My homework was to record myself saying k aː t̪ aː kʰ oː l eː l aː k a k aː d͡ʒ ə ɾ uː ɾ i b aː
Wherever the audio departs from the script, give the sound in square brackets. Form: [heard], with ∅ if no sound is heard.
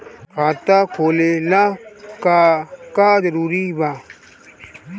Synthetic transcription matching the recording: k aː t̪ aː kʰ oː l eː l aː k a k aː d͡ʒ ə ɾ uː ɾ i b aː